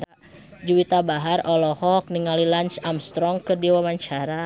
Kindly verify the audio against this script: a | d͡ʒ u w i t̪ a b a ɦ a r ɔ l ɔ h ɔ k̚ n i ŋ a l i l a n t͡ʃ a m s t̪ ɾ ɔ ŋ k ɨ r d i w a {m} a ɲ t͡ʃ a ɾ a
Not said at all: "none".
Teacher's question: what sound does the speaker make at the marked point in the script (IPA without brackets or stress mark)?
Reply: m